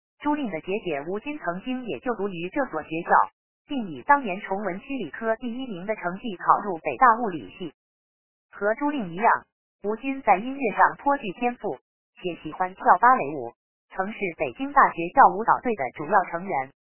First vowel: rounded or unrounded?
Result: rounded